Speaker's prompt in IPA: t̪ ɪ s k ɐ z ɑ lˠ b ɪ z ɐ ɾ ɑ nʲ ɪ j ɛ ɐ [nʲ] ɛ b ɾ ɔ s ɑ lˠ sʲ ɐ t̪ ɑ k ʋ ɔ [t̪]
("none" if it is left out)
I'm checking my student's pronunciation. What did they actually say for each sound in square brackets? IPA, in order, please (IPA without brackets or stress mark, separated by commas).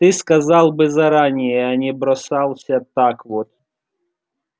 nʲ, t̪